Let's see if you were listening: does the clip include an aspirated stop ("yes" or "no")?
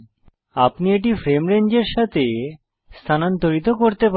yes